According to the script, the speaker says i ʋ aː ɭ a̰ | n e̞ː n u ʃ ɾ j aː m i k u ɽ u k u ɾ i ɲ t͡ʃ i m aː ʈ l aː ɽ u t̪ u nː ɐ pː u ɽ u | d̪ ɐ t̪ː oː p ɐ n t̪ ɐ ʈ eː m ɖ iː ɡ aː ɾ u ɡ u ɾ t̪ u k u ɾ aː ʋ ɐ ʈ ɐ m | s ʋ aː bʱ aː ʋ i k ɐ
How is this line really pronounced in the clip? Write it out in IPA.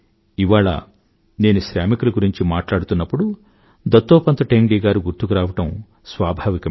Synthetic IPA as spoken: i ʋ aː ɭ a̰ | n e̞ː n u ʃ ɾ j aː m i k u l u ɡ u ɾ i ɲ t͡ʃ i m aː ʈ l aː ɽ u t̪ u nː ɐ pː u ɽ u | d̪ ɐ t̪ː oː p ɐ n t̪ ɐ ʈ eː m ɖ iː ɡ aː ɾ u ɡ u ɾ t̪ u k u ɾ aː ʋ ɐ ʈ ɐ m | s ʋ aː bʱ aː ʋ i k ɐ